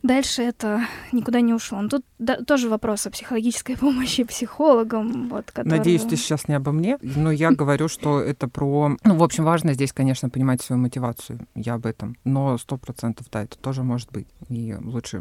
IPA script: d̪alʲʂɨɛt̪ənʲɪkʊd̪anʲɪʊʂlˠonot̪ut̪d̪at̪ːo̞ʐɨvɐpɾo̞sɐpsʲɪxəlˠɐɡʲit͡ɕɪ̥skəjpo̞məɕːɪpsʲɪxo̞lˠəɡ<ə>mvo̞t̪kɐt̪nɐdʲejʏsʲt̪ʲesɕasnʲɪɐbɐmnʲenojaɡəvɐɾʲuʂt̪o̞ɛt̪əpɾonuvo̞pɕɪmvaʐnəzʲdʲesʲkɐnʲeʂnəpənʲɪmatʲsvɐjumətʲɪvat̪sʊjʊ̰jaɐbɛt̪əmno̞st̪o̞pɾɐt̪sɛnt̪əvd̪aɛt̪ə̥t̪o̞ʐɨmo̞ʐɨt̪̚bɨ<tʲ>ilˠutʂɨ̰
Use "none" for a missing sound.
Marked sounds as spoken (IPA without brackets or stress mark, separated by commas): ə, tʲ